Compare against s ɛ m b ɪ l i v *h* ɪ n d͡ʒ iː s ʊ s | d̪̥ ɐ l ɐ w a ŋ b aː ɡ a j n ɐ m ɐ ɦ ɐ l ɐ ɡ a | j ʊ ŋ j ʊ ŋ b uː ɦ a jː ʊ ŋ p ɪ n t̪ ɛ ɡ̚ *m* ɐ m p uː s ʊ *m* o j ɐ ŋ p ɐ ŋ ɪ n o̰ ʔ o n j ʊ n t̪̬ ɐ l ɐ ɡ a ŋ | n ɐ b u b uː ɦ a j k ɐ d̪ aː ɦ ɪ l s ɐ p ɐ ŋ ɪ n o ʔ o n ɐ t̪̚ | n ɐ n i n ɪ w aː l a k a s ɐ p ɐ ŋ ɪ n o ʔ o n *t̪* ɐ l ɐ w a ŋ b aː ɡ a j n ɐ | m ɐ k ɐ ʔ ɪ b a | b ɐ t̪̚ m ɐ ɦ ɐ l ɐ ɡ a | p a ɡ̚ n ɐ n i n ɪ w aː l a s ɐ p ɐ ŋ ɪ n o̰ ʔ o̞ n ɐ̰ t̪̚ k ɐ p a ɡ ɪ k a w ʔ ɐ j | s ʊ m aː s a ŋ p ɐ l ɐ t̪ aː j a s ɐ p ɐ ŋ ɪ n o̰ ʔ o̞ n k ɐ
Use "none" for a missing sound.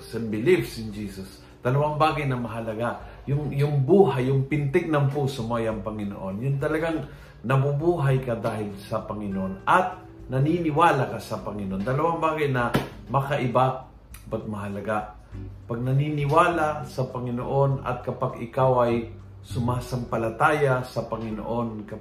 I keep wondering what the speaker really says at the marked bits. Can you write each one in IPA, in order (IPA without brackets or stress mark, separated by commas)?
s, n, m, d̪